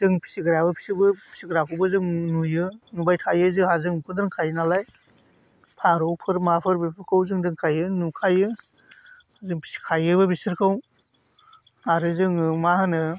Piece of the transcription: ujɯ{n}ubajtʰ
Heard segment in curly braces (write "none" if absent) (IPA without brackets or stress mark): n